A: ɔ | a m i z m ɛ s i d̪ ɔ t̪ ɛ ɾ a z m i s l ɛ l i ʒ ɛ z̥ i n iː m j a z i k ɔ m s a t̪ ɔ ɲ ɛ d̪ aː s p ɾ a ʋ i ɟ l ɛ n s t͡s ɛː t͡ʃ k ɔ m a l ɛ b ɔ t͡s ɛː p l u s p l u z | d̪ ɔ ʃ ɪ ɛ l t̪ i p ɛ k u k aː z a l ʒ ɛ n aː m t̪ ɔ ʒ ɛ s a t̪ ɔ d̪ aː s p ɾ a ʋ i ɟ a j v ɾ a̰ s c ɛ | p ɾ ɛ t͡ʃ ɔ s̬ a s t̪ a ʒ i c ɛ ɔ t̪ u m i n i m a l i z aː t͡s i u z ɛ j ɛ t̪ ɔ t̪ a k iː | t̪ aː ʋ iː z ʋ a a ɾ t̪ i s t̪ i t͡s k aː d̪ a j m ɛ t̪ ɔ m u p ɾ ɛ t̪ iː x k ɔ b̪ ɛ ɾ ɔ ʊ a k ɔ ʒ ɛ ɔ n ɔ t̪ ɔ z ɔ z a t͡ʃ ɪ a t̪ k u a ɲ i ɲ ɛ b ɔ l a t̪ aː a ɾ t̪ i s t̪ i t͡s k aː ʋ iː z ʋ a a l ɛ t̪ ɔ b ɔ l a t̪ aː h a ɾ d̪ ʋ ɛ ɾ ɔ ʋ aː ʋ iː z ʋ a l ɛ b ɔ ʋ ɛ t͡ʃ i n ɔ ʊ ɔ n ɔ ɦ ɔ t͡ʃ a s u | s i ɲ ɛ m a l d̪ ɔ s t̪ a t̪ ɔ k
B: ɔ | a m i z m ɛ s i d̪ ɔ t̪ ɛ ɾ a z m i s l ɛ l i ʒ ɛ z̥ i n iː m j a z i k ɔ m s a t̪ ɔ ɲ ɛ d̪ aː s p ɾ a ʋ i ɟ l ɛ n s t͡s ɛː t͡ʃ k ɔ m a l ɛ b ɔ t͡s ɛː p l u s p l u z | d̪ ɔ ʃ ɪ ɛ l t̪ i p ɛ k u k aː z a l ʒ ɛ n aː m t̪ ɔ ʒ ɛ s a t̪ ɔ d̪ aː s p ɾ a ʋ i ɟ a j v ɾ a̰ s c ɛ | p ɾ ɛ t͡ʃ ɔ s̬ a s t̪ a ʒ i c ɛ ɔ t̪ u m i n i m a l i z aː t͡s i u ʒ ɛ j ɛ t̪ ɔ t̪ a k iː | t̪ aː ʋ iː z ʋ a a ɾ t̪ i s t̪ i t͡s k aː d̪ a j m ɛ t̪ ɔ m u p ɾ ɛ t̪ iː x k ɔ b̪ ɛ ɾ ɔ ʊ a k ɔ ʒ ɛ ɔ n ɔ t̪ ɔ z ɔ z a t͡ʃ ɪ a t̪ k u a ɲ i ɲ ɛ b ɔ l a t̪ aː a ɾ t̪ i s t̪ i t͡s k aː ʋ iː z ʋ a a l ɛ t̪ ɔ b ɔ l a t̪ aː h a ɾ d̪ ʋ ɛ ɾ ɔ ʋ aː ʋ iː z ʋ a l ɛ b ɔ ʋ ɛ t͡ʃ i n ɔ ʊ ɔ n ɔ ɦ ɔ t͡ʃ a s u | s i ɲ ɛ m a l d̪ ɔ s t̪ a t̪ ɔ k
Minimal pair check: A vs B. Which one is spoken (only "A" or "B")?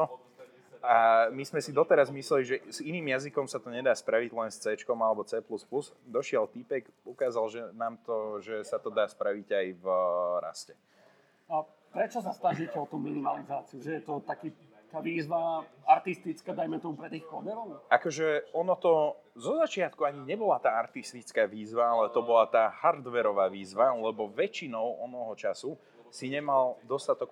B